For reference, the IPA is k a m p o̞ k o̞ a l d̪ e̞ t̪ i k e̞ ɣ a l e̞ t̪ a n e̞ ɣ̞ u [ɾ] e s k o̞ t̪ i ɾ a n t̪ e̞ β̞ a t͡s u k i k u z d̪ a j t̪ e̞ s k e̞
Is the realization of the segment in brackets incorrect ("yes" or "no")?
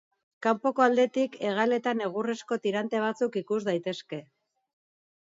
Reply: yes